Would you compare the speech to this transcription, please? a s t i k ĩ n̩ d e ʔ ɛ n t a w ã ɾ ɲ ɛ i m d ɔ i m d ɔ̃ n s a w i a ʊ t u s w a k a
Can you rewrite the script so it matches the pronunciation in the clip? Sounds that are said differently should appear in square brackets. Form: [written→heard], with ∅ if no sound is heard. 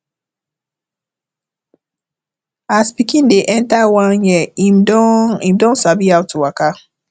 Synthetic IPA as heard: a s [t→p] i k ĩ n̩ d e ʔ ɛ n t a w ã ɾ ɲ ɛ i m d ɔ i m d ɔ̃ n s a [w→b] i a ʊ t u [s→∅] w a k a